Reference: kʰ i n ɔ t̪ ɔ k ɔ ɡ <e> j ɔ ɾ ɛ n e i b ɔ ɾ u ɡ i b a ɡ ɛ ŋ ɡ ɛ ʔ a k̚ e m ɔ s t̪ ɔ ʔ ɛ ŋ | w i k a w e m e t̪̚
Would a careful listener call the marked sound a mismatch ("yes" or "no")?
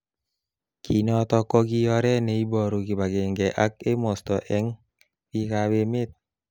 yes